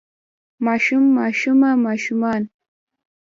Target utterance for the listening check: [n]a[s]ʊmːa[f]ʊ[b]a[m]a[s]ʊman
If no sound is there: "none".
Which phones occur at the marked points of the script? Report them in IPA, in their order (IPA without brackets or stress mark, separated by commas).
m, ʃ, ʃ, m, m, ʃ